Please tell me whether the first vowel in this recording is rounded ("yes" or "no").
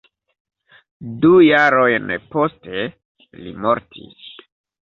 yes